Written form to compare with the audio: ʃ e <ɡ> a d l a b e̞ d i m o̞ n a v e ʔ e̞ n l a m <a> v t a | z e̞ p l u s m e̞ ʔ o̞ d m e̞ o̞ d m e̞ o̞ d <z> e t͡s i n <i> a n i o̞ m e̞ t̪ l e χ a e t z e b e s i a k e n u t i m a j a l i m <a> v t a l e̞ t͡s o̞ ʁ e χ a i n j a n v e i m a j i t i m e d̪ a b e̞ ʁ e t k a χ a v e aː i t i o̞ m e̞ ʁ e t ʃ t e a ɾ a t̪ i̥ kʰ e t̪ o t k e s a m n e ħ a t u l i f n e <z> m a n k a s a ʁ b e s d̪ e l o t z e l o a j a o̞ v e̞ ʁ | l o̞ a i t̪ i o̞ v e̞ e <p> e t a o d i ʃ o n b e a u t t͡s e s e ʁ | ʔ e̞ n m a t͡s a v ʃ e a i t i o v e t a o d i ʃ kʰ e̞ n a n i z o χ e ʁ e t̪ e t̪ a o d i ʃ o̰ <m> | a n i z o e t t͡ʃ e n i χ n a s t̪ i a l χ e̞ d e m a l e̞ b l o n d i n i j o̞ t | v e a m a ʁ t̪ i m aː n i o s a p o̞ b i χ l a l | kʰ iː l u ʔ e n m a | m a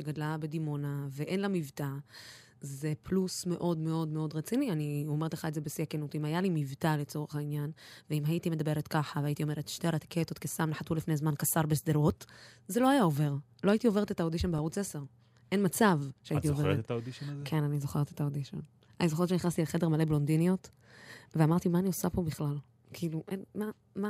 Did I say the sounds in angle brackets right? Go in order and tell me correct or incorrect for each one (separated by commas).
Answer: correct, incorrect, incorrect, correct, incorrect, correct, incorrect, incorrect